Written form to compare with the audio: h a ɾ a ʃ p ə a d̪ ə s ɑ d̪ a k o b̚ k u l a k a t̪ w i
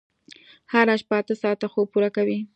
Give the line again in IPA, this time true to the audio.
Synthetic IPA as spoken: h a ɾ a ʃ p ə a t̪ ə s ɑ t̪ a x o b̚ p u ɾ a k a w i